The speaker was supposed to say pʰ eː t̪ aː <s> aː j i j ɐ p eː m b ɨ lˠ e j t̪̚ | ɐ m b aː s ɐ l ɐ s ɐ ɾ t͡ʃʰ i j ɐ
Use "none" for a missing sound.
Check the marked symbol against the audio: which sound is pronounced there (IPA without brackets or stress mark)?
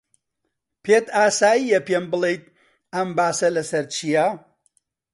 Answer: s